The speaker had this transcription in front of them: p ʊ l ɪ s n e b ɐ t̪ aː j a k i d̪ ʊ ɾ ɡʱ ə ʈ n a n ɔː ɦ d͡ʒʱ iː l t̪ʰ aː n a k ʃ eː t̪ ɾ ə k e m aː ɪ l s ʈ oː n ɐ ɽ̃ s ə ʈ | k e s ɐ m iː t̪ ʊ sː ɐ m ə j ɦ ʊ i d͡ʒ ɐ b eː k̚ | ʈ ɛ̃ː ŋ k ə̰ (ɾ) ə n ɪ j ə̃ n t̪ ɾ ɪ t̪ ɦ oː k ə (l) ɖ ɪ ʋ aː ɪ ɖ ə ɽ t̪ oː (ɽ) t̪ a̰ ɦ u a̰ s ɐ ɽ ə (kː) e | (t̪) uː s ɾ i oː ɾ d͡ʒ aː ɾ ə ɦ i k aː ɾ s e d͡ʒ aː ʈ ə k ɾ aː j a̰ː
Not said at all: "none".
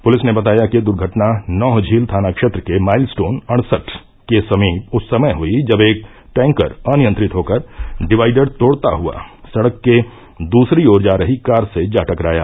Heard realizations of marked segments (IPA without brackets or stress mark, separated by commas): ɾ, ɾ, ɽ, kː, d̪